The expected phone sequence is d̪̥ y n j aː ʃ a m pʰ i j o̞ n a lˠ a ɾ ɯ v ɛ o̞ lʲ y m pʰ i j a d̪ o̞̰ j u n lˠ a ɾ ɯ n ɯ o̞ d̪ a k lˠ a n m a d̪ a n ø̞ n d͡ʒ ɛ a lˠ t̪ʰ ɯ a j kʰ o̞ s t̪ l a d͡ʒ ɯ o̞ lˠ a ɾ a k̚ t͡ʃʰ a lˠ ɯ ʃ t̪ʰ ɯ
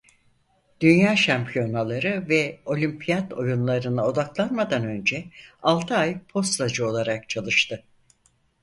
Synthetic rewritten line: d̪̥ y n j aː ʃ a m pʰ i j o̞ n a lˠ a ɾ ɯ v ɛ o̞ lʲ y m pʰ i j a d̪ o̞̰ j u n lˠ a ɾ ɯ n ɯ o̞ d̪ a k lˠ a n m a d̪ a n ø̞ n d͡ʒ ɛ a lˠ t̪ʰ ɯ a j pʰ o̞ s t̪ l a d͡ʒ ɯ o̞ lˠ a ɾ a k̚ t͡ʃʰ a lˠ ɯ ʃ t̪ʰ ɯ